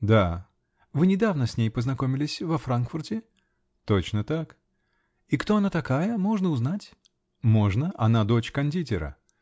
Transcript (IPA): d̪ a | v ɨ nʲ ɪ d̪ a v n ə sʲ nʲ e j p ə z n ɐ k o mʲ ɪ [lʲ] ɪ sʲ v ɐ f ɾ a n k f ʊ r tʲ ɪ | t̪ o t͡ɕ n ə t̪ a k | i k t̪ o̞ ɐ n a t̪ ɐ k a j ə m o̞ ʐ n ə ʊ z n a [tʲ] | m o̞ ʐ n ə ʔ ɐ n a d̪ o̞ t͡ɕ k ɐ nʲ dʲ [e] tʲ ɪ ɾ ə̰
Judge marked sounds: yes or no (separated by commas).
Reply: yes, yes, no